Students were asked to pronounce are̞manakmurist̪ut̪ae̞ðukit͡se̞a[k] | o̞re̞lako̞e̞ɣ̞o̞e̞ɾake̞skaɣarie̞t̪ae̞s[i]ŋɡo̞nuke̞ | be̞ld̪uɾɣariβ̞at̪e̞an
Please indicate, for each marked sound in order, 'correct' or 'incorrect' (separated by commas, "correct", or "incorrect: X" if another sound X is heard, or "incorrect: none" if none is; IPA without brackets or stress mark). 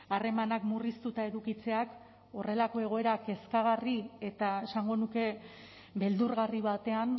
correct, incorrect: a